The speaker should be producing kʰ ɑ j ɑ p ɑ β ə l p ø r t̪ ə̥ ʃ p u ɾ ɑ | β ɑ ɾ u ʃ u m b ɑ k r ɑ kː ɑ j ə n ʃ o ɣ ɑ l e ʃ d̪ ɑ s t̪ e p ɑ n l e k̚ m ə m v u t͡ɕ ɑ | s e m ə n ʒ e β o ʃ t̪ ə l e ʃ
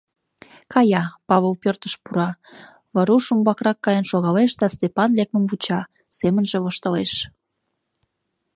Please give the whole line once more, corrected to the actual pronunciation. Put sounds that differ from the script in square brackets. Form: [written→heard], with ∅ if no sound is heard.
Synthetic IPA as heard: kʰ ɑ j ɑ p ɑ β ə l p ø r t̪ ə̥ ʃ p u ɾ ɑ | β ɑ ɾ u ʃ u m b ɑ k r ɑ kː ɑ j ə n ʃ o ɣ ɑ l e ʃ d̪ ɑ s t̪ e p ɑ n l e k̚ m ə m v u t͡ɕ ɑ | s e m ə n ʒ e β o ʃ t̪ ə l e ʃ